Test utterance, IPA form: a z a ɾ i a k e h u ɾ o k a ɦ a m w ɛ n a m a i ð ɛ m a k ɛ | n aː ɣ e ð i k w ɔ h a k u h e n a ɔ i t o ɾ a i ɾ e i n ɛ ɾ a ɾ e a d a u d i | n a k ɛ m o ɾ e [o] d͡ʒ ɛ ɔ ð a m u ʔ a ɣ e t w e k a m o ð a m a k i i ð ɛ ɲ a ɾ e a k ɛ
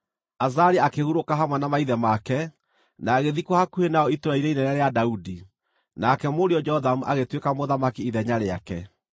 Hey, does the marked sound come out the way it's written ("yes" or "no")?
no